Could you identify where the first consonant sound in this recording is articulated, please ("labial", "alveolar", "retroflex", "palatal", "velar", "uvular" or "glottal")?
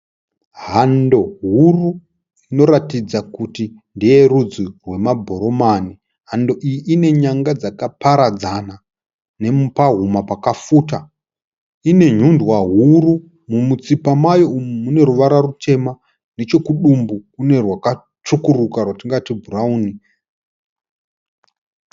glottal